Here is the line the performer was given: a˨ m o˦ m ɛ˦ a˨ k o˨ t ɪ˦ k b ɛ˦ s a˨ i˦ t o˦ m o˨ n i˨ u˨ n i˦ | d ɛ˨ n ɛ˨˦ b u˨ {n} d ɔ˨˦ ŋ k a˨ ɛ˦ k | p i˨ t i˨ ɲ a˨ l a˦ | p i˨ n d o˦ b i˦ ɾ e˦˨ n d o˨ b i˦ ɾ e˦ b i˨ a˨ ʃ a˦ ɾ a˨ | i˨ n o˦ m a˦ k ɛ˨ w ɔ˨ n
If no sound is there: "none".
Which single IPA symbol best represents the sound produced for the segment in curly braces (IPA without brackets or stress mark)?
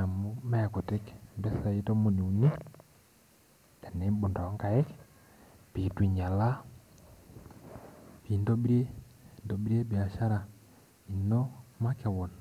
n